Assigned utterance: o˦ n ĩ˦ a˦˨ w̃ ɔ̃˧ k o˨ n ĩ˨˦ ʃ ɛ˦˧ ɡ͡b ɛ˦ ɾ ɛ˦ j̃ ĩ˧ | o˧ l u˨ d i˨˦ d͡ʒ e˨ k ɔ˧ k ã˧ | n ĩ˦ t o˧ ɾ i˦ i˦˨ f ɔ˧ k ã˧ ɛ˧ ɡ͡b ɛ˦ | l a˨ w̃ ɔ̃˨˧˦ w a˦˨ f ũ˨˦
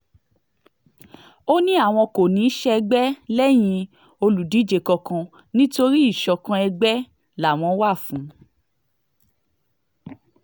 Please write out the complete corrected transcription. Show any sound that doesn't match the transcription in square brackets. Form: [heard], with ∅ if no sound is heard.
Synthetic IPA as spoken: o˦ n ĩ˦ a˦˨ w̃ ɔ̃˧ k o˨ n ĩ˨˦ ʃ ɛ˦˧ ɡ͡b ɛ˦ [l] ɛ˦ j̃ ĩ˧ | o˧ l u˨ d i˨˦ d͡ʒ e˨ k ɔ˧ k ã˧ | n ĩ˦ t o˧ ɾ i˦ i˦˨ [ʃ] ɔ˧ k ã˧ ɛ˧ ɡ͡b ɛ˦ | l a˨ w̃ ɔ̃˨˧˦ w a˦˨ f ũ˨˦